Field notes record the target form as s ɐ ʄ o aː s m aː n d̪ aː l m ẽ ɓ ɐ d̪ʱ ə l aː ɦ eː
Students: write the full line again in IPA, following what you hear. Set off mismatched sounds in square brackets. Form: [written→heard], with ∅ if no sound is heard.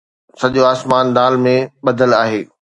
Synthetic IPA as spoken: s ɐ ʄ o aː s m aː n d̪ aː l m ẽ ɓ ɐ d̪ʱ ə l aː ɦ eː